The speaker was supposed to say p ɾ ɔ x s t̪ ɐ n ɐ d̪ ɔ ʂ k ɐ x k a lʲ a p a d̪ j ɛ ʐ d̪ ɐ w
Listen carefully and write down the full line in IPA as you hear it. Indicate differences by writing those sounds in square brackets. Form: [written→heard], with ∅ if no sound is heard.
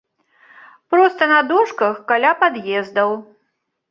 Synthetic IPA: p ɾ ɔ [x→∅] s t̪ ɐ n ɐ d̪ ɔ ʂ k ɐ x k a lʲ a p a d̪ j ɛ [ʐ→z] d̪ ɐ w